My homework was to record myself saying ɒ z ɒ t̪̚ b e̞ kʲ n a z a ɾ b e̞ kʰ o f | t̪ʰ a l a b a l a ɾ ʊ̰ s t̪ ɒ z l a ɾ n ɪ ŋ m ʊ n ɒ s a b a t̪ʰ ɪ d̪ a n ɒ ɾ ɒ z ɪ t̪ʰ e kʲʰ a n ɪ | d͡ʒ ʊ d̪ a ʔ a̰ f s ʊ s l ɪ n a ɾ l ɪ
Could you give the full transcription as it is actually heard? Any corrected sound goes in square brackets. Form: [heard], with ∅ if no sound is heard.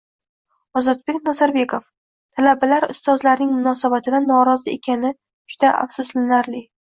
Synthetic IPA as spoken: ɒ z ɒ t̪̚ b e̞ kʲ n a z a ɾ b e̞ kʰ o f | t̪ʰ a l a b a l a ɾ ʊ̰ s t̪ ɒ z l a ɾ n ɪ ŋ m ʊ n ɒ s a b a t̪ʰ ɪ d̪ a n ɒ ɾ ɒ z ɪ [∅] e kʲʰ a n ɪ | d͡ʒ ʊ d̪ a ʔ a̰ f s ʊ s l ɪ n a ɾ l ɪ

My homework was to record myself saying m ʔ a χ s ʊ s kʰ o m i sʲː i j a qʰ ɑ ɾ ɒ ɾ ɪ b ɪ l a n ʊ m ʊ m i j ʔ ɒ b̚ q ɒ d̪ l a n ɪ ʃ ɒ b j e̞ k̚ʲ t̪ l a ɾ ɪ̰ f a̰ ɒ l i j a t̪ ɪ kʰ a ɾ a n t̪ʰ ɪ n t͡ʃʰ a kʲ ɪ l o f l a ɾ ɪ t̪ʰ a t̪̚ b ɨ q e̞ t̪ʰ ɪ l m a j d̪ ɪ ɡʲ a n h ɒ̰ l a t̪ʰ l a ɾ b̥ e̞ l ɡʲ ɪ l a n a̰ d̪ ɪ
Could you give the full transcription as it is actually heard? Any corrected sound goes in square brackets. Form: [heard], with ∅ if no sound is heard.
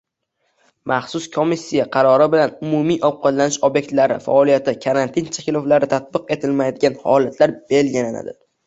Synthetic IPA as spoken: m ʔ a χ s ʊ s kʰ o m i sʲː i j a qʰ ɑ ɾ ɒ ɾ ɪ b ɪ l a n ʊ m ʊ m i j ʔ ɒ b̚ q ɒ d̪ l a n ɪ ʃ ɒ b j e̞ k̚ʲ t̪ l a ɾ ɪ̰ f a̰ ɒ l i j a t̪ ɪ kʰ a ɾ a n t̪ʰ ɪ n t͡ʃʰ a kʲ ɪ l o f l a ɾ ɪ t̪ʰ a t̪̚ b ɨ q e̞ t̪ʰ ɪ l m a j d̪ ɪ ɡʲ a n h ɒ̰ l a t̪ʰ l a ɾ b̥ e̞ l ɡʲ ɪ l a n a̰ d̪ ɪ

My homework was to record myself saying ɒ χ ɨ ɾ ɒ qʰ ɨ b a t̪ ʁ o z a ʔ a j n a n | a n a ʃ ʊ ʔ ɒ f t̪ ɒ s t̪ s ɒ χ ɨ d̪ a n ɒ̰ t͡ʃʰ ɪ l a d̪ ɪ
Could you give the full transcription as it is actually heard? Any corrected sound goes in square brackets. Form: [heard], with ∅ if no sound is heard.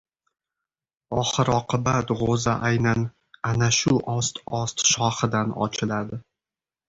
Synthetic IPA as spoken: ɒ χ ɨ ɾ ɒ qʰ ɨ b a t̪ ʁ o z a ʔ a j n a n | a n a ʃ ʊ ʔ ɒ [s] t̪ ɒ s t̪ [ʃ] ɒ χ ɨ d̪ a n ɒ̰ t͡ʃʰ ɪ l a d̪ ɪ

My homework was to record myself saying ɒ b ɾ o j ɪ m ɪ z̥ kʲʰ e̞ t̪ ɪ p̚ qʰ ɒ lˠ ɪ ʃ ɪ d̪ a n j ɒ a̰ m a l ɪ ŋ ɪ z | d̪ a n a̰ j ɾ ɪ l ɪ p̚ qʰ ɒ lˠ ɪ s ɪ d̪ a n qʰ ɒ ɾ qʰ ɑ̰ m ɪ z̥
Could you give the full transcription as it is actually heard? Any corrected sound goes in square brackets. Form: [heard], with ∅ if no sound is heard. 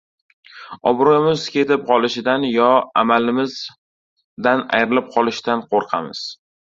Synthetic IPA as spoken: ɒ b ɾ o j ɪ m ɪ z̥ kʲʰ e̞ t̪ ɪ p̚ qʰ ɒ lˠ ɪ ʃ ɪ d̪ a n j ɒ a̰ m a l ɪ [m] ɪ z | d̪ a n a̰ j ɾ ɪ l ɪ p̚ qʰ ɒ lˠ ɪ [ʃ] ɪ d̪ a n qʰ [o] ɾ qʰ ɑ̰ m ɪ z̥

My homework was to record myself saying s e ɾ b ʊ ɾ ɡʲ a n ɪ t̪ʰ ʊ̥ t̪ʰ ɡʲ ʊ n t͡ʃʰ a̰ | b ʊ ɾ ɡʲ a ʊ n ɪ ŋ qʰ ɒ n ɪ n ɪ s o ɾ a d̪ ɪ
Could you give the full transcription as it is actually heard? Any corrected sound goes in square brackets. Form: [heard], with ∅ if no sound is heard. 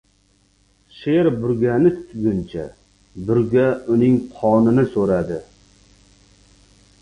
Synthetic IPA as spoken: [ʃ] e ɾ b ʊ ɾ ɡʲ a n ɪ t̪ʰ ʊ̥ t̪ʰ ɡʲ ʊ n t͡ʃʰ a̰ | b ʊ ɾ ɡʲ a ʊ n ɪ ŋ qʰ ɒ n ɪ n ɪ s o ɾ a d̪ ɪ

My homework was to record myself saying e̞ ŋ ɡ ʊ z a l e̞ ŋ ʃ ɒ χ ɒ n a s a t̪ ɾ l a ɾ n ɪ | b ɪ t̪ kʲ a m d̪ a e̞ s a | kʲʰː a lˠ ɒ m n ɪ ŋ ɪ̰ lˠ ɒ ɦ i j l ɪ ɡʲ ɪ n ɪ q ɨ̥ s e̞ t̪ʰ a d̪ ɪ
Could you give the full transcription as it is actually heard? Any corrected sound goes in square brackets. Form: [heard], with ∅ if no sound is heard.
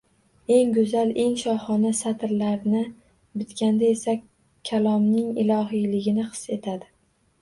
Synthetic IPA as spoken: e̞ ŋ ɡ ʊ z a l e̞ ŋ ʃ ɒ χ ɒ n a s a t̪ ɾ l a ɾ n ɪ | b ɪ t̪ kʲ a [n] d̪ a e̞ s a | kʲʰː a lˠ ɒ m n ɪ ŋ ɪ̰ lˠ ɒ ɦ i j l ɪ ɡʲ ɪ n ɪ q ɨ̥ s e̞ t̪ʰ a d̪ ɪ

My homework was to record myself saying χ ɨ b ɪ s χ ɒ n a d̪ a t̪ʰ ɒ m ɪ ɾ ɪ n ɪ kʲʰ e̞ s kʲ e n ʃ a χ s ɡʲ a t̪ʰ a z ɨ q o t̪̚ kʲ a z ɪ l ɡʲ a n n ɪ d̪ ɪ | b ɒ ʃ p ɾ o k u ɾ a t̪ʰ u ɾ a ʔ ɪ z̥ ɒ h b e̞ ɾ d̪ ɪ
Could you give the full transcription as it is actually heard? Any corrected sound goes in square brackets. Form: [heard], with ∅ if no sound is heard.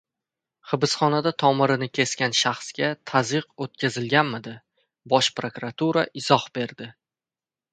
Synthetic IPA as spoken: χ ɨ b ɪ s χ ɒ n a d̪ a t̪ʰ ɒ m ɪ ɾ ɪ n ɪ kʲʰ e̞ s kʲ [a] n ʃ a χ s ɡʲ a t̪ʰ a z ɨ q o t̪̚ kʲ a z ɪ l ɡʲ a n [m] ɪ d̪ ɪ | b ɒ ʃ p ɾ o k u ɾ a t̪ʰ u ɾ a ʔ ɪ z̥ ɒ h b e̞ ɾ d̪ ɪ

